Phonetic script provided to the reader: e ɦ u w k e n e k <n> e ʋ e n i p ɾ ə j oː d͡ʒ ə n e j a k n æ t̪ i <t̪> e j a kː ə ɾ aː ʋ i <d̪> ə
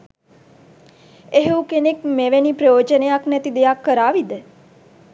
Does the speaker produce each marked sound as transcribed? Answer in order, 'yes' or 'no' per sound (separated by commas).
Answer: no, no, yes